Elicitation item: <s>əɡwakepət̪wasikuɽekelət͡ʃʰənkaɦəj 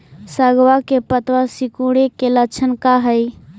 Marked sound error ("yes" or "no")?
no